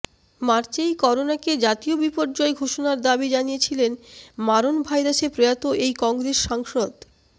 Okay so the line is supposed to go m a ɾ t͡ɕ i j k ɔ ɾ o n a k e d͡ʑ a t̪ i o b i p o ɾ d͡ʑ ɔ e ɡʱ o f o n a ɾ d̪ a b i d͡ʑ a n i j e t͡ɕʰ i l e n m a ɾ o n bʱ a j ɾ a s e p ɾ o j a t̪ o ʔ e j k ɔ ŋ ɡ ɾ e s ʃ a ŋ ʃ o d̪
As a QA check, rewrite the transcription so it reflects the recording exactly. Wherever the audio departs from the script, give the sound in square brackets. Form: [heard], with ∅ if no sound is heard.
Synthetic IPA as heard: m a ɾ t͡ɕ [e] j k ɔ ɾ o n a k e d͡ʑ a t̪ i o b i p o ɾ d͡ʑ ɔ e ɡʱ o [ʃ] o n a ɾ d̪ a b i d͡ʑ a n i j e t͡ɕʰ i l e n m a ɾ o n bʱ a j ɾ a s e p ɾ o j a t̪ o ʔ e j k ɔ ŋ ɡ ɾ e s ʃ a ŋ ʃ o d̪